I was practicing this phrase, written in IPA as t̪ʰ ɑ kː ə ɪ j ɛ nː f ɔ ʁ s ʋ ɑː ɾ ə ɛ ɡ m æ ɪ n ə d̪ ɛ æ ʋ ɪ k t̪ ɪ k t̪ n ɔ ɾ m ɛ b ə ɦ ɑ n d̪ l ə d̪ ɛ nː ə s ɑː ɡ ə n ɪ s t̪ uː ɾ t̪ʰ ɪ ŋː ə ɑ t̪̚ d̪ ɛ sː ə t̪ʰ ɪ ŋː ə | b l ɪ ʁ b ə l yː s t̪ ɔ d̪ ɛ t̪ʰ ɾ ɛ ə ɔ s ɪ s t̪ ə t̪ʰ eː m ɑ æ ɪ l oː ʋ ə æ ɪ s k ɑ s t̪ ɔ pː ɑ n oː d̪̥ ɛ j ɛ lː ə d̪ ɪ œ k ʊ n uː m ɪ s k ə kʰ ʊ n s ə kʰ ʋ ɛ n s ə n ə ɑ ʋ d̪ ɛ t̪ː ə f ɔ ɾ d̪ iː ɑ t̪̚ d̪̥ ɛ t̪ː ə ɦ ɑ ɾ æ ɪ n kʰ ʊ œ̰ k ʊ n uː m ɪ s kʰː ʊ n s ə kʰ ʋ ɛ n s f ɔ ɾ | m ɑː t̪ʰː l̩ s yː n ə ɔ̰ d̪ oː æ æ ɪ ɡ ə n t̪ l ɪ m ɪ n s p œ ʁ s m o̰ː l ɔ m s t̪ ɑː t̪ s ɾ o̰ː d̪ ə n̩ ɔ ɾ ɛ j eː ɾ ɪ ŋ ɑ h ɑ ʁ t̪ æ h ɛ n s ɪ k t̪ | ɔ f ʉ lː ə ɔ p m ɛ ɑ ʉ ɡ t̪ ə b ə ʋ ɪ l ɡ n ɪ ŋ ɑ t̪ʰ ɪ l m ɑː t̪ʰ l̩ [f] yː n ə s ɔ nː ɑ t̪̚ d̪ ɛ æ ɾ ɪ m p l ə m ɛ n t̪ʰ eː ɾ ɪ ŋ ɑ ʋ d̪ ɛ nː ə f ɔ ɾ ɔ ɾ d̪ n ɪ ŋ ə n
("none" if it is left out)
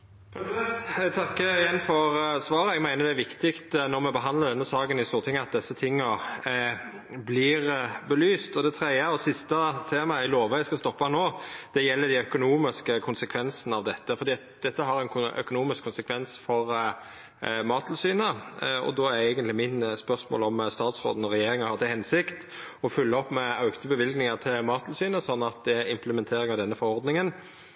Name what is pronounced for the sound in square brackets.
s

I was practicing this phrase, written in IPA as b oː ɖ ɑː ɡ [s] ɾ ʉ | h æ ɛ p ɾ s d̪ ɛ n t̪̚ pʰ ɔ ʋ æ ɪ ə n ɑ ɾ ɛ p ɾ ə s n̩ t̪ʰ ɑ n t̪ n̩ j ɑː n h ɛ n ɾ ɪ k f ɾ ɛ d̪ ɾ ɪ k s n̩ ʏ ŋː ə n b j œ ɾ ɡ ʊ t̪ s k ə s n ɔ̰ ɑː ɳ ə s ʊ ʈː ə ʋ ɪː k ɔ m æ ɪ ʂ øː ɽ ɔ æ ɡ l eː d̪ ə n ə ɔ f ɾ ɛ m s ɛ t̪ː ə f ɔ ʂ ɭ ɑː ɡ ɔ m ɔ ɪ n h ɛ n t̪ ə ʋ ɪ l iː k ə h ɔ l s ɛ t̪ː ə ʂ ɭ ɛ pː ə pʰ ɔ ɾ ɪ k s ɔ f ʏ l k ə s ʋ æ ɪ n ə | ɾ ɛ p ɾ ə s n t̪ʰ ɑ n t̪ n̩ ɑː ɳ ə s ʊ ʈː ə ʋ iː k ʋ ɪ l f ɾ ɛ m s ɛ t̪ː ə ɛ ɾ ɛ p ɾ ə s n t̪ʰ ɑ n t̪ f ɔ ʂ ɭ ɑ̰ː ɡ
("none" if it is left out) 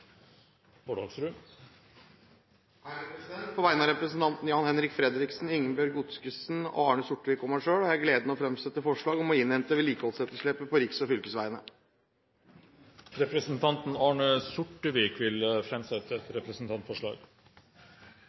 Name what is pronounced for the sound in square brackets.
s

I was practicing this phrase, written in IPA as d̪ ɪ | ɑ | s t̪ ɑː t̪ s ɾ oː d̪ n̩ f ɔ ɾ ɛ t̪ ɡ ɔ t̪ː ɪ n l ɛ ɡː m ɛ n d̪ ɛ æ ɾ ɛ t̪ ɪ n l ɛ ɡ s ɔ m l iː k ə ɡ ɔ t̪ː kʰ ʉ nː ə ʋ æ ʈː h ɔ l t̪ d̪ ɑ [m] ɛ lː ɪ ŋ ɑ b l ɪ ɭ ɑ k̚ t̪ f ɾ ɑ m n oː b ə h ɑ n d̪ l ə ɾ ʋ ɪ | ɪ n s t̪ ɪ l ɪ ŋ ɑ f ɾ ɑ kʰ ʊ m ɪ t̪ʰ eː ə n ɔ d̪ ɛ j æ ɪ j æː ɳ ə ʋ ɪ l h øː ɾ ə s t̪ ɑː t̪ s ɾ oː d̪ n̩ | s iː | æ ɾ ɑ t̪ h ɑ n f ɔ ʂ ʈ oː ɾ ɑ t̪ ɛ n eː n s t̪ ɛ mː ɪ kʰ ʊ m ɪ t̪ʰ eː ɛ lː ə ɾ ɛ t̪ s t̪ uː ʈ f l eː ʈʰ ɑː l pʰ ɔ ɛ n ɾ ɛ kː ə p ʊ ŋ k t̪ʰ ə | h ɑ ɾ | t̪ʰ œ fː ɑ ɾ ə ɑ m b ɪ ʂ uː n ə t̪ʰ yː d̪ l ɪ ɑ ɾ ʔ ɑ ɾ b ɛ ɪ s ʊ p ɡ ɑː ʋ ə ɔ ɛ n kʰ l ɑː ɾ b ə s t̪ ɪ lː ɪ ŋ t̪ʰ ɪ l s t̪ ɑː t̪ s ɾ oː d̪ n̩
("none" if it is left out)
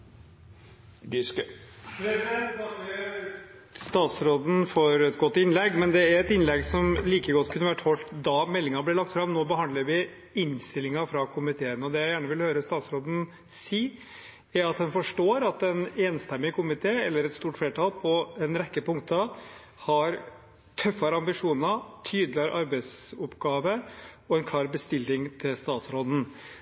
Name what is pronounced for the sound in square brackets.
m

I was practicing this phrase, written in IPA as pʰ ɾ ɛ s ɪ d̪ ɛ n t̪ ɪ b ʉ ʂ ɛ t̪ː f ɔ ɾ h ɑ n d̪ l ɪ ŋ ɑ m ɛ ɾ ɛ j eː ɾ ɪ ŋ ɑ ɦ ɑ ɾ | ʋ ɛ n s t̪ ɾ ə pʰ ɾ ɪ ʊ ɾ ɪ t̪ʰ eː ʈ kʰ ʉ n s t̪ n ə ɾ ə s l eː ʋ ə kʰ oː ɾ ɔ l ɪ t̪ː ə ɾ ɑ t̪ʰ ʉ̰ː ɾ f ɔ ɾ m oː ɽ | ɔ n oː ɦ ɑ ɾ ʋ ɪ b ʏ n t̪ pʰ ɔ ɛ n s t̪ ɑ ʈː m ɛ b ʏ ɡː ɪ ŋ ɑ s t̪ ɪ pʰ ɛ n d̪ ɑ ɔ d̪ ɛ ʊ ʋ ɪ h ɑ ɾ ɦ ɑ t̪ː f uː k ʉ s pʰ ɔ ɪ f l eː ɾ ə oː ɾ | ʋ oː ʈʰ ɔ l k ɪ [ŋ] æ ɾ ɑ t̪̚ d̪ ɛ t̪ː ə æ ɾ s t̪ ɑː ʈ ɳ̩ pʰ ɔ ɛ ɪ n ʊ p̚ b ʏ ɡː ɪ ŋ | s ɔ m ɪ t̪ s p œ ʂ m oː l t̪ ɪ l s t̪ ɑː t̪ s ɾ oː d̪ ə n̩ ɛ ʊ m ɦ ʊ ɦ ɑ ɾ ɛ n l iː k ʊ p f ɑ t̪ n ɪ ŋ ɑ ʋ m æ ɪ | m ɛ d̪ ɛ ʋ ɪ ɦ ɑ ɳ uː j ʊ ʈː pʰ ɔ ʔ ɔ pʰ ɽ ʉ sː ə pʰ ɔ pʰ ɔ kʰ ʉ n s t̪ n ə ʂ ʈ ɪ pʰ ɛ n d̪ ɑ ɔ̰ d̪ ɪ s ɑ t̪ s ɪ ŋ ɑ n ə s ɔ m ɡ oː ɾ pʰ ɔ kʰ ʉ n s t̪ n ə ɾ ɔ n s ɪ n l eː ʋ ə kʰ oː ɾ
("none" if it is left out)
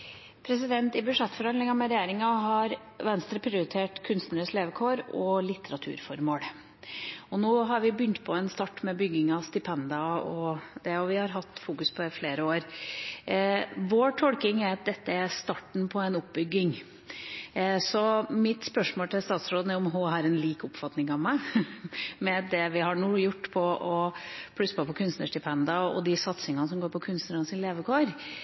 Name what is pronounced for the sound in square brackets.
ŋ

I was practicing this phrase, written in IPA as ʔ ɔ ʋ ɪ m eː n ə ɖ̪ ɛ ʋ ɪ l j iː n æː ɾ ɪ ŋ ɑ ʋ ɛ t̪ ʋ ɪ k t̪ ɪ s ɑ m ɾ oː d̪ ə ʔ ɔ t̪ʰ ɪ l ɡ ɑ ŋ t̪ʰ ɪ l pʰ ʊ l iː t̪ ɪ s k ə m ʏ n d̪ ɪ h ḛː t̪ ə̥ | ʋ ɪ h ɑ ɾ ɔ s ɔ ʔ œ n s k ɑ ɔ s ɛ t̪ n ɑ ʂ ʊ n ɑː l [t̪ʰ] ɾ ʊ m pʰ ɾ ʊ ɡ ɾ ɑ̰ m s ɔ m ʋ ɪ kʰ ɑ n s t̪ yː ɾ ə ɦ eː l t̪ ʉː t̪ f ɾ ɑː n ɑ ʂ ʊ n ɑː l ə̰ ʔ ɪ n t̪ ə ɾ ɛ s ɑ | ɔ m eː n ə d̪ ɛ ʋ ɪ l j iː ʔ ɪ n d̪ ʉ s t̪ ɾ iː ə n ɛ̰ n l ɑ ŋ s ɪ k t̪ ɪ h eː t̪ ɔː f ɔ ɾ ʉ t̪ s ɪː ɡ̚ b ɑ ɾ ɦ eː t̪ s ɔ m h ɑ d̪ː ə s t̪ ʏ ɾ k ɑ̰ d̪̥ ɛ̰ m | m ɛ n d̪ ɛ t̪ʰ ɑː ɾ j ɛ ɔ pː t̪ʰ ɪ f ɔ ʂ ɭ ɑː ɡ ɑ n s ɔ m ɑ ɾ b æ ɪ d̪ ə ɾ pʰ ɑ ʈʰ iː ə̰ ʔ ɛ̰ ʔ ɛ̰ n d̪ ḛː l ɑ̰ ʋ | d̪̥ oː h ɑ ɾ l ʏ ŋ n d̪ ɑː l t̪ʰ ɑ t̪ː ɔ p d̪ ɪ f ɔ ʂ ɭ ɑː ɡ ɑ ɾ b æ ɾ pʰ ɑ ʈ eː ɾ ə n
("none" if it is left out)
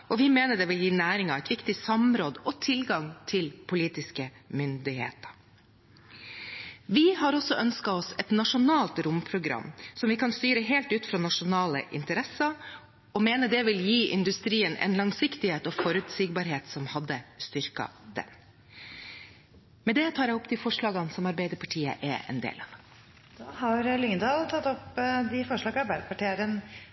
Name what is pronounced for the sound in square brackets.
t̪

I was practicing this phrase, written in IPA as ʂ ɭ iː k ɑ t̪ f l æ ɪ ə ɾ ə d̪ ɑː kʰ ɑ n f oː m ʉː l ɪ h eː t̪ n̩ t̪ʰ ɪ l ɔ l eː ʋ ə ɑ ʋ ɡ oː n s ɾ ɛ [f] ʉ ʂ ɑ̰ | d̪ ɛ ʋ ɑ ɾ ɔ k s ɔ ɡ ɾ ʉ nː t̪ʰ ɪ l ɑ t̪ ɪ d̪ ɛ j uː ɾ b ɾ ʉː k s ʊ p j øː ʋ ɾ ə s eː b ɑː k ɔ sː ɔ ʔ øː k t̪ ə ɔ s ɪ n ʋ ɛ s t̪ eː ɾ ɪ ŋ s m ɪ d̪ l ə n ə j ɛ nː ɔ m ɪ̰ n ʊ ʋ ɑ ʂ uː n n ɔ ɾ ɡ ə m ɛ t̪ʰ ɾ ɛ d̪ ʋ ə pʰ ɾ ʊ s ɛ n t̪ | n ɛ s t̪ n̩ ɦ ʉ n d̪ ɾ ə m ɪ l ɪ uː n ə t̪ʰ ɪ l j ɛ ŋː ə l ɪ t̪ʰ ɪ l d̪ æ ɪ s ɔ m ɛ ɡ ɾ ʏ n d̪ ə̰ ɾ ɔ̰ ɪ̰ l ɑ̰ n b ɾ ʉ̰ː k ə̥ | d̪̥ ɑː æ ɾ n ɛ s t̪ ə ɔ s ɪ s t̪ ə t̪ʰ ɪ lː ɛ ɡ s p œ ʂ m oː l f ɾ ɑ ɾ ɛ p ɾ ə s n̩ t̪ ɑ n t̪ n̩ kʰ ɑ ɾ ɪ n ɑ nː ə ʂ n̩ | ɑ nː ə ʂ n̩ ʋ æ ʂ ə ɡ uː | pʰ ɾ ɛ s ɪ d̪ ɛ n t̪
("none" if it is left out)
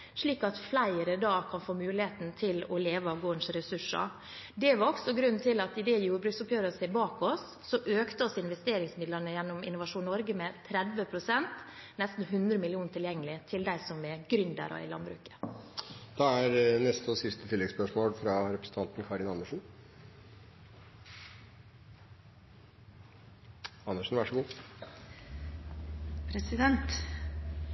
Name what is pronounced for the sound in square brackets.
s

